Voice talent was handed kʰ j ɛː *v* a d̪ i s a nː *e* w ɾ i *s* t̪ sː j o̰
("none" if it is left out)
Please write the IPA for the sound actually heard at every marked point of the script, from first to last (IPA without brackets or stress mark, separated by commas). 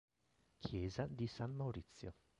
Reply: z, a, none